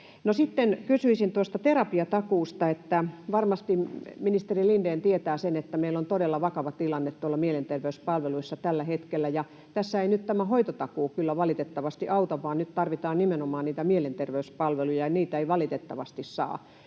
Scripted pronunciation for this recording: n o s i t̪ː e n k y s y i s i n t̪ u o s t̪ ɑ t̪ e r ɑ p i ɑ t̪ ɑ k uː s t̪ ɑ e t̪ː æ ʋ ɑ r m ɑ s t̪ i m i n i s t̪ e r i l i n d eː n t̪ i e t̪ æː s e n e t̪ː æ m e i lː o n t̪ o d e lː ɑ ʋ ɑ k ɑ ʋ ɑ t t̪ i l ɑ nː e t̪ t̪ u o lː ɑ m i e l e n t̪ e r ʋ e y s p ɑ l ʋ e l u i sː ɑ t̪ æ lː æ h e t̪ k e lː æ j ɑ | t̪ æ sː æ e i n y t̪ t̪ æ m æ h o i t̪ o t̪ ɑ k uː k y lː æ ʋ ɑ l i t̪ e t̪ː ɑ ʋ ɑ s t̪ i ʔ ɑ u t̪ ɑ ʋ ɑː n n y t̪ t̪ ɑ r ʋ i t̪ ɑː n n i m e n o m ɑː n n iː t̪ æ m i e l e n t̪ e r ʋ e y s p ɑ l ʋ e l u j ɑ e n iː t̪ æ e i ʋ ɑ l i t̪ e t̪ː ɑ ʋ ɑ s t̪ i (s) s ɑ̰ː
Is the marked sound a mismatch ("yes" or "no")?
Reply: no